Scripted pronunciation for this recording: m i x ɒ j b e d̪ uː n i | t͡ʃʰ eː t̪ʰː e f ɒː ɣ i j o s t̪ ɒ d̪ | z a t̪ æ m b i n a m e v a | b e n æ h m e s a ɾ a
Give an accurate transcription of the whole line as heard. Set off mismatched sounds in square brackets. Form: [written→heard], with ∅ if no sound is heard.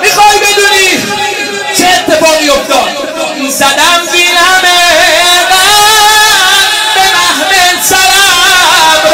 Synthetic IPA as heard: m i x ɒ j b e d̪ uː n i | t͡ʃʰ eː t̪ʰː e f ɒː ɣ i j o [s→f] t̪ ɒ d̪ | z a [t̪→d̪] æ m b i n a m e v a | b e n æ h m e s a ɾ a